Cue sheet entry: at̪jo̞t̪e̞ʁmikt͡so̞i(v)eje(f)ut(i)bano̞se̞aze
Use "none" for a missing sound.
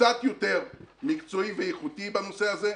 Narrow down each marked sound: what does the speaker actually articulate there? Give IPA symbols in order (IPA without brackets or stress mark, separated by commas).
v, χ, i